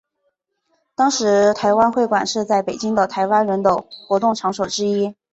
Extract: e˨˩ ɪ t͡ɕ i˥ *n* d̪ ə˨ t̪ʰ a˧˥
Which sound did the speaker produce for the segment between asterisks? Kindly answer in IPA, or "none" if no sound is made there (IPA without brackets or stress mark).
ŋ